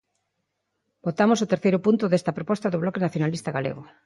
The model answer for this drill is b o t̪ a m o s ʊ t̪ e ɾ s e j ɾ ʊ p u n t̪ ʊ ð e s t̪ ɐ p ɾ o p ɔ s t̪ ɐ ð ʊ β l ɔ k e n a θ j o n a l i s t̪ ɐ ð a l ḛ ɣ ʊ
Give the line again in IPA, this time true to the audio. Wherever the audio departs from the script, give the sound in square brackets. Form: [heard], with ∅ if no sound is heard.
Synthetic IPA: b o t̪ a m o s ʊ t̪ e ɾ [θ] e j ɾ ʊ p u n t̪ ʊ ð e s t̪ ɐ p ɾ o p ɔ s t̪ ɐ ð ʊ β l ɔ k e n a θ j o n a l i s t̪ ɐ [ɣ] a l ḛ ɣ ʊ